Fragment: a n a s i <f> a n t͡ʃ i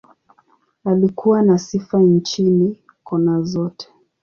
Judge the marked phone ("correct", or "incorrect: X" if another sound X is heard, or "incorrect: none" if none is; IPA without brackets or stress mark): correct